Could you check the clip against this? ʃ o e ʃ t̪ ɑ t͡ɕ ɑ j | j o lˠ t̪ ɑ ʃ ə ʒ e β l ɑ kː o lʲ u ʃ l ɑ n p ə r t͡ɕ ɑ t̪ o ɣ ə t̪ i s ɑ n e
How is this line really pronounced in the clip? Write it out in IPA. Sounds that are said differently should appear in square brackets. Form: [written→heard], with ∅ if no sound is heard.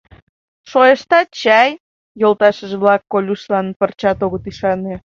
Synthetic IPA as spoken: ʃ o e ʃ t̪ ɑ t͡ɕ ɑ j | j o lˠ t̪ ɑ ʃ ə ʒ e β l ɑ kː o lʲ u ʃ l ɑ n p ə r t͡ɕ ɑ t̪ o ɣ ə t̪ i [s→ʃ] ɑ n e